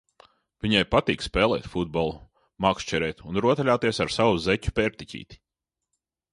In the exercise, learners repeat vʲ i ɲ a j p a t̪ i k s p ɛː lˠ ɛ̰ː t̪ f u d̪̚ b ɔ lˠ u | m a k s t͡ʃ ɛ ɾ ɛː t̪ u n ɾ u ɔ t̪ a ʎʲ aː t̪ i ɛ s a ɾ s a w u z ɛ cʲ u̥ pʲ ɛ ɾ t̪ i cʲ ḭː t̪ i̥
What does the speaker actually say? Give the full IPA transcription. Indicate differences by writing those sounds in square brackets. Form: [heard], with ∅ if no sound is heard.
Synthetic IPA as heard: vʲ i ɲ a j p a t̪ [iː] k s p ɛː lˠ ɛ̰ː t̪ f u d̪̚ b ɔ lˠ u | m a k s t͡ʃ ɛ ɾ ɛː t̪ u n ɾ u ɔ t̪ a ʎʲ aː t̪ i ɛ s a ɾ s a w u z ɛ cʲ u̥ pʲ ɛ ɾ t̪ i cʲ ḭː t̪ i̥